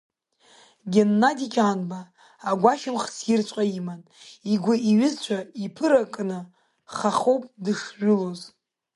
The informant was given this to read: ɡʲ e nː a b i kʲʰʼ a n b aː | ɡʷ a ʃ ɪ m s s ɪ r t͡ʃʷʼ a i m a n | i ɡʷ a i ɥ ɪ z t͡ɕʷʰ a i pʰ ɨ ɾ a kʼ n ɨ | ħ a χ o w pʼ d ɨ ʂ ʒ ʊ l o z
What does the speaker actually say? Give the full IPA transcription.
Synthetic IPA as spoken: ɡʲ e nː a d i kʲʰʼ a n b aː | ɡʷ a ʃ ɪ m χ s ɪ r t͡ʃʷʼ a i m a n | i ɡʷ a i ɥ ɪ z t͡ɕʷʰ a i pʰ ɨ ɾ a kʼ n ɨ | χ a χ o w pʼ d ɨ ʂ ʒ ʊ l o z